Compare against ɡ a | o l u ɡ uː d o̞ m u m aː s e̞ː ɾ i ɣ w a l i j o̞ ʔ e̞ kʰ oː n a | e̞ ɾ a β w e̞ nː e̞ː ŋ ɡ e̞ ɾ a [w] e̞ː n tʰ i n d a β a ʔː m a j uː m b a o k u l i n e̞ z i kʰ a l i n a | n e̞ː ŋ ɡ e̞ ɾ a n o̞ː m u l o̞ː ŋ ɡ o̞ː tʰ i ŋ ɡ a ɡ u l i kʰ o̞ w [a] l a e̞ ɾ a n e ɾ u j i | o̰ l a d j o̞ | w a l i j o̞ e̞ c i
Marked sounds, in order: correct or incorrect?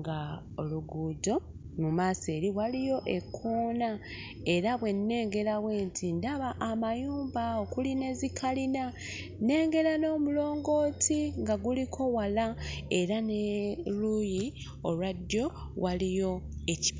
correct, correct

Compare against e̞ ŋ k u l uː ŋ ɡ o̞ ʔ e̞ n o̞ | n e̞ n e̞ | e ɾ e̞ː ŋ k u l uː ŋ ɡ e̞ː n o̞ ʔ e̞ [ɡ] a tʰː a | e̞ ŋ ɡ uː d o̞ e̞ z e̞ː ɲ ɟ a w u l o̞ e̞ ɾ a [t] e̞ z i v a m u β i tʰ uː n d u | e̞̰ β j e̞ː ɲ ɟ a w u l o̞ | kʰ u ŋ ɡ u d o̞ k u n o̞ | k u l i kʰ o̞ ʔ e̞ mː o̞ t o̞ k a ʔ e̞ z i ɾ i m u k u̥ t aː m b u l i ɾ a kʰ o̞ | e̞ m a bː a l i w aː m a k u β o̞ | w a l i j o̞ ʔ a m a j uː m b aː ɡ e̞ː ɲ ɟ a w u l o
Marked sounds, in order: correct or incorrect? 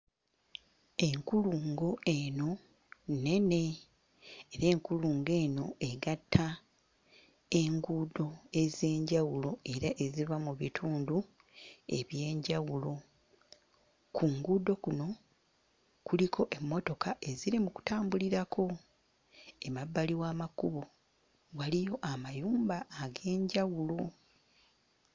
correct, incorrect: ʔ

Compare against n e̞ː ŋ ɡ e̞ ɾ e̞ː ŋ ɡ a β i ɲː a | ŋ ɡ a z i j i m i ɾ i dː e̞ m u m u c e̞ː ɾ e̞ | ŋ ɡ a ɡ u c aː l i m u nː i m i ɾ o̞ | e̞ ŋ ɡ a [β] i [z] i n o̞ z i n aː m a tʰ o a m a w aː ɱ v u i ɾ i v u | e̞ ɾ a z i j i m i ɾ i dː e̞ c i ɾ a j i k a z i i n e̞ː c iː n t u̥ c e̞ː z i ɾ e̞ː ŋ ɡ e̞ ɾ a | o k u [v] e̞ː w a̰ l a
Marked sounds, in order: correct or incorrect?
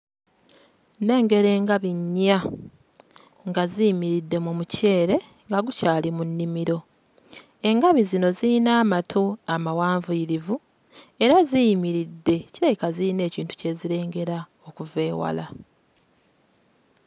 correct, correct, correct

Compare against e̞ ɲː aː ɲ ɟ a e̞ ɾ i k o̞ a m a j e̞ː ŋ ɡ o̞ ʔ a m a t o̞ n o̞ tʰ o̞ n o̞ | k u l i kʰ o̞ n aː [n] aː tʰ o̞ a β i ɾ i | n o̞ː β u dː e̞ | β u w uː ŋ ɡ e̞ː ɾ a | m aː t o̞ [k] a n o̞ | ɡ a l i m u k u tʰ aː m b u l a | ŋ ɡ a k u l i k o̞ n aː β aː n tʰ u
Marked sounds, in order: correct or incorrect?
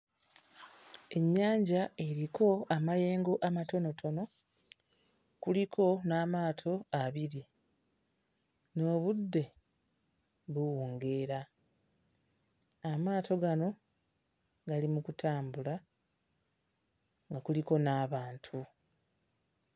incorrect: m, incorrect: ɡ

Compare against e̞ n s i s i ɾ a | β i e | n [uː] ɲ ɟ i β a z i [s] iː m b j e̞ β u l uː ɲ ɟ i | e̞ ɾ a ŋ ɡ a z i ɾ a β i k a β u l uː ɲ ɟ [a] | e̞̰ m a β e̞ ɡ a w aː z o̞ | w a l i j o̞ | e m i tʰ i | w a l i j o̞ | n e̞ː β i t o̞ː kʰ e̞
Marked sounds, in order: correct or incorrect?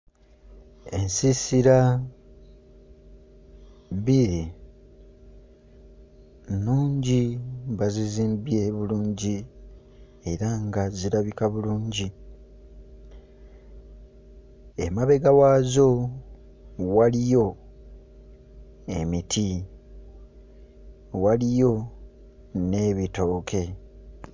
correct, incorrect: z, incorrect: i

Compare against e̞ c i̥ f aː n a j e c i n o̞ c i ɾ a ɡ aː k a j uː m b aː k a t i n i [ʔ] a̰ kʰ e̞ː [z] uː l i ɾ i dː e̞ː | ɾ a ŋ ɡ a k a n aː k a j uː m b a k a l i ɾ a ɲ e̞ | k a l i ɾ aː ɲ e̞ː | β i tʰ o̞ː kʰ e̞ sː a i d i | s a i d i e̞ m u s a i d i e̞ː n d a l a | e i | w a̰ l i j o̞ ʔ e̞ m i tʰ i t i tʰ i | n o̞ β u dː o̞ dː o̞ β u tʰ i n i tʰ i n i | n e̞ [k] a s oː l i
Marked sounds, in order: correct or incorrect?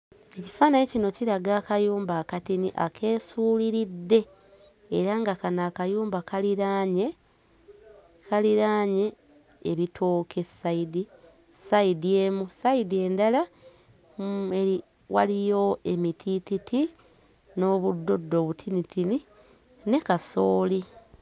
correct, incorrect: s, correct

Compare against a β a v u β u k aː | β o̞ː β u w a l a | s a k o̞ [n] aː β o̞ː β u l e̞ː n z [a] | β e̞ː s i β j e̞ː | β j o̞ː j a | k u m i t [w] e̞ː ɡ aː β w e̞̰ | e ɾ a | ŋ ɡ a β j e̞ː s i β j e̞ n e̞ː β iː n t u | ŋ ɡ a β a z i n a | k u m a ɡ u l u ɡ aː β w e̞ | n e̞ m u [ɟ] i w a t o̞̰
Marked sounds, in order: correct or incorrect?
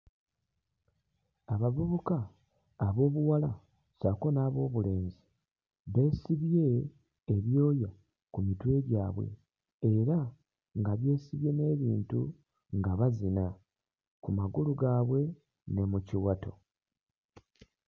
correct, incorrect: i, correct, incorrect: c

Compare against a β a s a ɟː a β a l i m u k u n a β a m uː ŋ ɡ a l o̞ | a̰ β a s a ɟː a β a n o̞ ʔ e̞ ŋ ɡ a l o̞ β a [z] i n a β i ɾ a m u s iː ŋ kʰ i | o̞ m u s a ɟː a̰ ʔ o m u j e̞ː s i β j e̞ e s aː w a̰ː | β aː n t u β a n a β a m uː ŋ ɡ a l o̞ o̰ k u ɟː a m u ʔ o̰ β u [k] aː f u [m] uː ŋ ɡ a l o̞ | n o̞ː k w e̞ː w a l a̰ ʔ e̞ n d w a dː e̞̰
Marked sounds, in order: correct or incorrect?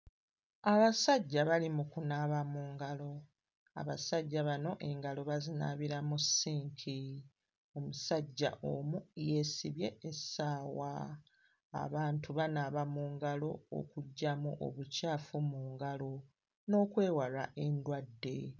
correct, incorrect: c, correct

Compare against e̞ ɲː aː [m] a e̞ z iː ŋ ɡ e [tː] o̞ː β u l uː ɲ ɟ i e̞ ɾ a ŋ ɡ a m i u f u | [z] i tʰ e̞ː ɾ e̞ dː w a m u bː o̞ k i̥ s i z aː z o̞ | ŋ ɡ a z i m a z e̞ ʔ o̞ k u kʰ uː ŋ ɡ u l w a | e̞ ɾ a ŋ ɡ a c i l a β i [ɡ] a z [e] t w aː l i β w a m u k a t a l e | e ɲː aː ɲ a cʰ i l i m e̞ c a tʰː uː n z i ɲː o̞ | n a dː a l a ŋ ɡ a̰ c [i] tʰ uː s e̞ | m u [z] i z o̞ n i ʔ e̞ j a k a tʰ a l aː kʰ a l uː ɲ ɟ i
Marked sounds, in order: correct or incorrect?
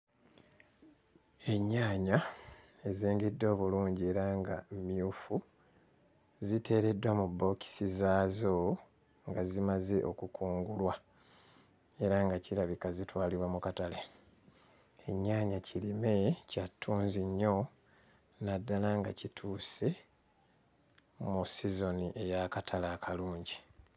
incorrect: ɲ, incorrect: dː, correct, incorrect: k, incorrect: i, correct, incorrect: s

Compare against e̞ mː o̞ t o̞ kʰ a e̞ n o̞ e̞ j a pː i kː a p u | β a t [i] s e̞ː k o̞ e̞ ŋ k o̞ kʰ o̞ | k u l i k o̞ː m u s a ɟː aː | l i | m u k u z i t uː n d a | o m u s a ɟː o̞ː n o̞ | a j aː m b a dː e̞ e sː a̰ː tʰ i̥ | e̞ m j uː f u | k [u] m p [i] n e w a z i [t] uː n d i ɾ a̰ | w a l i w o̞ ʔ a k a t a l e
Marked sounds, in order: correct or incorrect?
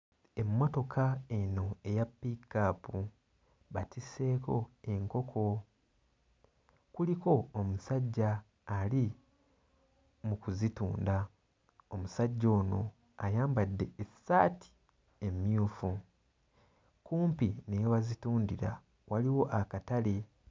correct, incorrect: uː, correct, correct

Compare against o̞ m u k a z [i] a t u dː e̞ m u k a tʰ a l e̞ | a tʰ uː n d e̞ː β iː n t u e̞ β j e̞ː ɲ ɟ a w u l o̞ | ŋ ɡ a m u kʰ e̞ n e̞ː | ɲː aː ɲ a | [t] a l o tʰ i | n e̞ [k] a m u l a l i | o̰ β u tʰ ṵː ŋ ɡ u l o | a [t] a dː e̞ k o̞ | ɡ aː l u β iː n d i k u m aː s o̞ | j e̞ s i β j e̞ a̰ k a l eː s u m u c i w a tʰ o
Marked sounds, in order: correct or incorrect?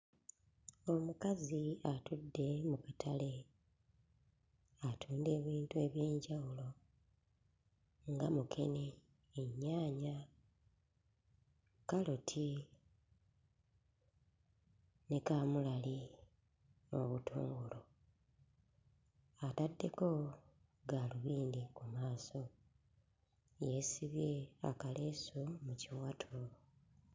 correct, incorrect: k, correct, correct

